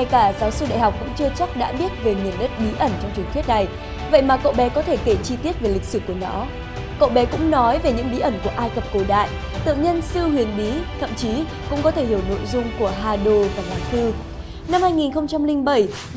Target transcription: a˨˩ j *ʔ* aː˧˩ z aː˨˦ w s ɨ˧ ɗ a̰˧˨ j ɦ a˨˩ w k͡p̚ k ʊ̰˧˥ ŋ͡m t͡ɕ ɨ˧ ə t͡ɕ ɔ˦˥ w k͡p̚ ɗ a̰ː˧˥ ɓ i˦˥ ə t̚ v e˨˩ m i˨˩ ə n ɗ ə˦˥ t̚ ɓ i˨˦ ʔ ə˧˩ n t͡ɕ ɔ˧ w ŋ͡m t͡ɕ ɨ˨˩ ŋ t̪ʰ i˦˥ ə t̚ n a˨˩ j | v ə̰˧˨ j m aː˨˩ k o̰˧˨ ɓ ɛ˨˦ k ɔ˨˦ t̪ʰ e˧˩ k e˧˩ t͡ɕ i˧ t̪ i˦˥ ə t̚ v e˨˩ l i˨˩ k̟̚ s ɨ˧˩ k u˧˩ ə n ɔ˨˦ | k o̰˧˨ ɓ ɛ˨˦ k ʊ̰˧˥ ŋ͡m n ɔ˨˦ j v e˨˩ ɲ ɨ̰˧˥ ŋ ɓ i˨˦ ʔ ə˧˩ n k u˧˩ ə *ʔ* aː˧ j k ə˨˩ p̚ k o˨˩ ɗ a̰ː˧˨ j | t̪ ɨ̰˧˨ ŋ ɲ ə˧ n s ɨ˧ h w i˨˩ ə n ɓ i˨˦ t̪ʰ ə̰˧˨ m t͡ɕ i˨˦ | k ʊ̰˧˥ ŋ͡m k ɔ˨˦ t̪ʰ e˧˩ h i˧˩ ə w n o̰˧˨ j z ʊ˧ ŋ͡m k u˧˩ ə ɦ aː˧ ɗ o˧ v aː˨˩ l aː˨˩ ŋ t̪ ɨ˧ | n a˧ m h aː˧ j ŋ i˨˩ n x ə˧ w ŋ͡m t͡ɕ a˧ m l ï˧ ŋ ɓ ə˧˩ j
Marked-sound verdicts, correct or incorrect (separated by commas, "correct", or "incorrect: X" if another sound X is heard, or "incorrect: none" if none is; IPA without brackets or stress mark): incorrect: k, correct